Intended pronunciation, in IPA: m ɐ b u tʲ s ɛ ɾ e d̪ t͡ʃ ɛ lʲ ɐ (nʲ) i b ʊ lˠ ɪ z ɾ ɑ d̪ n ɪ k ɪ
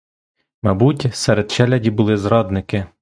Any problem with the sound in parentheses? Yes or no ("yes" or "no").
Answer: yes